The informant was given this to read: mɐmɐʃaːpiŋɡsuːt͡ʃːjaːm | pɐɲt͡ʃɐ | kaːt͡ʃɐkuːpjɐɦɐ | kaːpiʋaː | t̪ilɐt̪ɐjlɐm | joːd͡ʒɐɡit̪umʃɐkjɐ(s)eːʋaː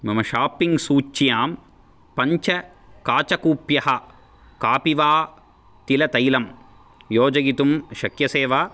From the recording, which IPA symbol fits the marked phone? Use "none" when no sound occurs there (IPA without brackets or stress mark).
s